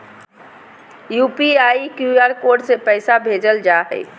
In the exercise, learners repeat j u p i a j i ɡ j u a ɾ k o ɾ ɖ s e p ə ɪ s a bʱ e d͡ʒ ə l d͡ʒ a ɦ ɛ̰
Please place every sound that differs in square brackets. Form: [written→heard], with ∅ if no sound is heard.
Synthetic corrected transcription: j u p i a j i [ɡ→k] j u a ɾ k o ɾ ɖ s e p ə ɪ s a bʱ e d͡ʒ ə l d͡ʒ a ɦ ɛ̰